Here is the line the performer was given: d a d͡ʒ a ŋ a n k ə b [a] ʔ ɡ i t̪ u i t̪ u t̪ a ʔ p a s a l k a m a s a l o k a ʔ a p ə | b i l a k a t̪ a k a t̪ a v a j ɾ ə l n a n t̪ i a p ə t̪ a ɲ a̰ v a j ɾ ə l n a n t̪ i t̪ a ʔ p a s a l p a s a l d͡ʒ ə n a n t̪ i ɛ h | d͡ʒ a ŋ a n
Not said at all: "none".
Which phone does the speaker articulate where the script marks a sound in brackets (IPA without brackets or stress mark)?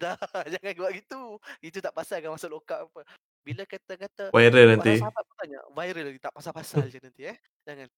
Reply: a